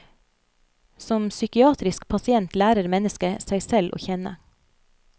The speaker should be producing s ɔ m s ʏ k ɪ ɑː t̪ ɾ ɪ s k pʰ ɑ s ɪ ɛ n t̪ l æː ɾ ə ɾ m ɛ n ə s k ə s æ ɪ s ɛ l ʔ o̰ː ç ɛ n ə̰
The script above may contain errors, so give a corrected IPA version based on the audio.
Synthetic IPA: s ɔ m s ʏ k ɪ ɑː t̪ ɾ ɪ s k pʰ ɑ s ɪ ɛ n t̪ l æː ɾ ə ɾ m ɛ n ə s k ə s æ ɪ s ɛ l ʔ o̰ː ç ɛ n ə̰